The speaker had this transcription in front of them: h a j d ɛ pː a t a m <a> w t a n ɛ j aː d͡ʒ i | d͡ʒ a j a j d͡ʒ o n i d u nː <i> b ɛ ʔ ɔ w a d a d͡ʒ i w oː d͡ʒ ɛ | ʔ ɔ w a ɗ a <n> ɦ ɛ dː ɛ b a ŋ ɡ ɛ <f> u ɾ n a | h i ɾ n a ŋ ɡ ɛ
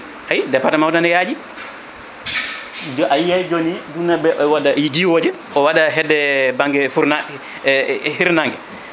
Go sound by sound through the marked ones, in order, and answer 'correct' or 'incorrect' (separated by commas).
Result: correct, incorrect, incorrect, correct